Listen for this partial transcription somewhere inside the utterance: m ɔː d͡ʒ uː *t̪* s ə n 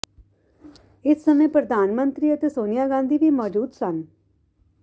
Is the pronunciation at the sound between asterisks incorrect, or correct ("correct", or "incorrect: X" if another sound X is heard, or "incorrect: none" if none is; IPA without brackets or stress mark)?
incorrect: d̪